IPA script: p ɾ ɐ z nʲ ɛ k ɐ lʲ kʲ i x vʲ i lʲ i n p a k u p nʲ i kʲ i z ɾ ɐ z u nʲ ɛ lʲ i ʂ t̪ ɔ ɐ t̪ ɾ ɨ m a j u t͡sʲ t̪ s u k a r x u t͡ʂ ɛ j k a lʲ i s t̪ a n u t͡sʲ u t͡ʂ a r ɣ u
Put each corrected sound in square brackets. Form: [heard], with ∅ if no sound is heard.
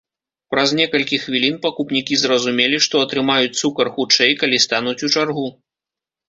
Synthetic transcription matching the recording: p ɾ ɐ z nʲ ɛ k ɐ lʲ kʲ i x vʲ i lʲ i n p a k u p nʲ i kʲ i z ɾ ɐ z u [mʲ] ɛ lʲ i ʂ t̪ ɔ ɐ t̪ ɾ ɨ m a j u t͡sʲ t̪ s u k [ɐ] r x u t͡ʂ ɛ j k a lʲ i s t̪ a n u t͡sʲ u t͡ʂ a r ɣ u